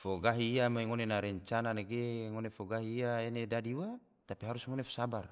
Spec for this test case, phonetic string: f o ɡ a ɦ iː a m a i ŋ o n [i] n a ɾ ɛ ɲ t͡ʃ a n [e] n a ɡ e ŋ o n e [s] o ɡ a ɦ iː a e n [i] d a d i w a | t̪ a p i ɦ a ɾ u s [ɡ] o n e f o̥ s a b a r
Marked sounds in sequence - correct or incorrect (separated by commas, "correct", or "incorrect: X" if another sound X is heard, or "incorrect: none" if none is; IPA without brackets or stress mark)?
incorrect: e, incorrect: a, incorrect: f, incorrect: e, incorrect: ŋ